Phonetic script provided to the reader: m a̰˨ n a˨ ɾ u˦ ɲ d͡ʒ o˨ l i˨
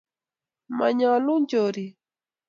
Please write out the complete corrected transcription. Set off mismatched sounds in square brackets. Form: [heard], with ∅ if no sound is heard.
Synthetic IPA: m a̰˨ [ɲ] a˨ [l] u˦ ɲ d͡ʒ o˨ [ɾ] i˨